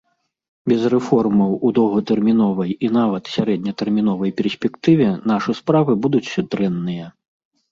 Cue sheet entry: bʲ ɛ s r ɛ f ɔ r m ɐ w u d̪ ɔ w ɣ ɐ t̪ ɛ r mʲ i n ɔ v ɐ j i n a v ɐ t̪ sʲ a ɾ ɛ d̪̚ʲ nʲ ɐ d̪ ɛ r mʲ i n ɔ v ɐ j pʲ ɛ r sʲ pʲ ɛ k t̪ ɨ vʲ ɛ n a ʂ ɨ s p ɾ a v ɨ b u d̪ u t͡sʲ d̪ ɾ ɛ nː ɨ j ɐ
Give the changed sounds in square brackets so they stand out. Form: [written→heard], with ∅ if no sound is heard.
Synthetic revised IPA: bʲ ɛ [s→z] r ɛ f ɔ r m ɐ w u d̪ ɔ w ɣ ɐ t̪ ɛ r mʲ i n ɔ v ɐ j i n a v ɐ t̪ sʲ a ɾ ɛ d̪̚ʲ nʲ ɐ [d̪→t̪] ɛ r mʲ i n ɔ v ɐ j pʲ ɛ r sʲ pʲ ɛ k t̪ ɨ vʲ ɛ n a ʂ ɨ s p ɾ a v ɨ b u d̪ u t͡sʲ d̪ ɾ ɛ nː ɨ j ɐ

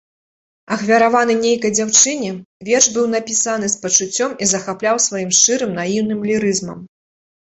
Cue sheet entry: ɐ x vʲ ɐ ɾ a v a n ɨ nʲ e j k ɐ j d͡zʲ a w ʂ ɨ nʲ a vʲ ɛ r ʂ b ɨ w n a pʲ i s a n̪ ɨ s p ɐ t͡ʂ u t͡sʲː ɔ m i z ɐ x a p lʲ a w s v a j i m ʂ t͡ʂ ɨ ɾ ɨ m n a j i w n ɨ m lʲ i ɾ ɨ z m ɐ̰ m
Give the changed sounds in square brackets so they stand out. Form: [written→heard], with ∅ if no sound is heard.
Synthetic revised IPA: ɐ x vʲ ɐ ɾ a v a n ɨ nʲ e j k ɐ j d͡zʲ a w [ʂ→t͡ʂ] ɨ nʲ [a→ɛ] vʲ ɛ r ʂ b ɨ w n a pʲ i s a n̪ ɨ s p ɐ t͡ʂ u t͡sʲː ɔ m i z ɐ x a p lʲ a w s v a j i m ʂ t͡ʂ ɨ ɾ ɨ m n a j i w n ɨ m lʲ i ɾ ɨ z m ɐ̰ m

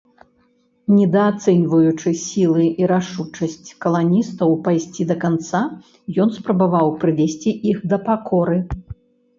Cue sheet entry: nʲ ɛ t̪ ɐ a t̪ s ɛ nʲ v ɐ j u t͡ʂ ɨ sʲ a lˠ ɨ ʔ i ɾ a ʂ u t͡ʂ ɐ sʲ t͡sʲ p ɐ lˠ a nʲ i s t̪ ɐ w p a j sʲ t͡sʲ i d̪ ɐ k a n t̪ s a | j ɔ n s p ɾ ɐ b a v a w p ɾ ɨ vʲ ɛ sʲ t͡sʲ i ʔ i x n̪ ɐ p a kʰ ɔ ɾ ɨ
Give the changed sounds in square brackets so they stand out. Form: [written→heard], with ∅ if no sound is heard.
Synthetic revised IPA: nʲ ɛ [t̪→d̪] ɐ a t̪ s ɛ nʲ v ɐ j u t͡ʂ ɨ sʲ [a→i] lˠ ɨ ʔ i ɾ a ʂ u t͡ʂ ɐ sʲ t͡sʲ [p→k] ɐ lˠ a nʲ i s t̪ ɐ w p a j sʲ t͡sʲ i d̪ ɐ k a n t̪ s a | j ɔ n s p ɾ ɐ b a v a w p ɾ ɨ vʲ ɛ sʲ t͡sʲ i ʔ i x [n̪→d̪] ɐ p a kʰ ɔ ɾ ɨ

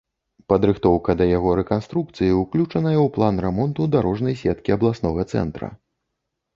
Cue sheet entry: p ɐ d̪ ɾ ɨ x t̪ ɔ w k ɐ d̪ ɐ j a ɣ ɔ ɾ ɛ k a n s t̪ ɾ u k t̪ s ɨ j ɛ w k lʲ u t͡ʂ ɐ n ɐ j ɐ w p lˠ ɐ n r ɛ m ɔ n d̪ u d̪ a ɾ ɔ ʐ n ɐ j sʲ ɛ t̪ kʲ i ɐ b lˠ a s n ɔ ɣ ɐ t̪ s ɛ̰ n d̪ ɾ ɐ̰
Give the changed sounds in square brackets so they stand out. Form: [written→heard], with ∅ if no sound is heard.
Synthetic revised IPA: p ɐ d̪ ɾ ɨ x t̪ ɔ w k ɐ d̪ ɐ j a ɣ ɔ ɾ ɛ k a n s t̪ ɾ u k t̪ s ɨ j [ɛ→i] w k lʲ u t͡ʂ ɐ n ɐ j ɐ w p lˠ [ɐ→a] n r ɛ m ɔ n [d̪→t̪] u d̪ a ɾ ɔ ʐ n ɐ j sʲ ɛ t̪ kʲ i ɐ b lˠ a s n ɔ ɣ ɐ t̪ s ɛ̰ n [d̪→t̪] ɾ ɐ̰

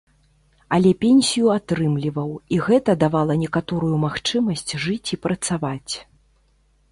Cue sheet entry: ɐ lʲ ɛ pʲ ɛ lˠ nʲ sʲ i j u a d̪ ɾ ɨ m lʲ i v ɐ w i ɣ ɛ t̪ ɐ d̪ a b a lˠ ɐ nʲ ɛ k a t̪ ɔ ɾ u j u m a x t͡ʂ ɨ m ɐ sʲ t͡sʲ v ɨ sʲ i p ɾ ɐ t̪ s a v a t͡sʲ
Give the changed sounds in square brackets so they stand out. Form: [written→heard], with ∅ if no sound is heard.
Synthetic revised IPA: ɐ lʲ ɛ pʲ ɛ [lˠ→∅] nʲ sʲ i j u a [d̪→t̪] ɾ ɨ m lʲ i v ɐ w i ɣ ɛ t̪ ɐ d̪ a [b→v] a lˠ ɐ nʲ ɛ k a t̪ ɔ ɾ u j u m a x t͡ʂ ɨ m ɐ sʲ t͡sʲ [v→ʐ] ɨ [sʲ→t͡sʲ] i p ɾ ɐ t̪ s a v a t͡sʲ

